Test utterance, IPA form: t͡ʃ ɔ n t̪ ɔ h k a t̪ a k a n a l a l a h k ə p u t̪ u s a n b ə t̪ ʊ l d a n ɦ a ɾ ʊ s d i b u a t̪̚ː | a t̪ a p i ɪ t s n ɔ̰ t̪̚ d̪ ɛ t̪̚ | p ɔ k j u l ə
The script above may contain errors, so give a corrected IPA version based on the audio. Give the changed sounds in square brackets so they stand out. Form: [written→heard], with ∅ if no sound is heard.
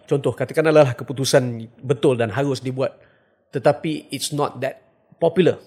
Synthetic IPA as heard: t͡ʃ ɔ n t̪ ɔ h k a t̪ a k a n a l a l a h k ə p u t̪ u s a n b ə t̪ ʊ l d a n ɦ a ɾ ʊ s d i b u a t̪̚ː | [a→ə] t̪ a p i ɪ t s n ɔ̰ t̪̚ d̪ ɛ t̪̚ | p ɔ [k→p] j u l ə